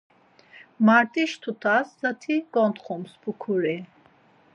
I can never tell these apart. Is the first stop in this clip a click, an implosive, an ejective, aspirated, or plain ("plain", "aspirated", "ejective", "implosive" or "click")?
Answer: ejective